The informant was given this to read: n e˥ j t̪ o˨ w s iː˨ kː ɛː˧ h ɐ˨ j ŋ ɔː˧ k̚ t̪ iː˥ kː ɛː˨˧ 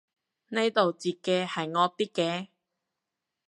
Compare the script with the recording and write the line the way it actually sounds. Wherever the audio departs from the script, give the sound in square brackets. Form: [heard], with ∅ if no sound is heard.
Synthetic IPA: n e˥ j t̪ o˨ w [t͡s] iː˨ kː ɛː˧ h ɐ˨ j ŋ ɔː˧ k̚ t̪ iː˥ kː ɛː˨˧